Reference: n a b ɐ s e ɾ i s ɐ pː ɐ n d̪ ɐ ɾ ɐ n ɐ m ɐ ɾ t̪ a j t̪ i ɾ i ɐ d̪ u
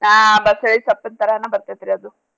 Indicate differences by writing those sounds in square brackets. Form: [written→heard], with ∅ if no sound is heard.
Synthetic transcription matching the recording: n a b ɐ s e [ɾ→ɭ] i s ɐ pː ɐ n [d̪→t̪] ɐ ɾ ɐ n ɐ [m→b] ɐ ɾ t̪ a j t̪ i ɾ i ɐ d̪ u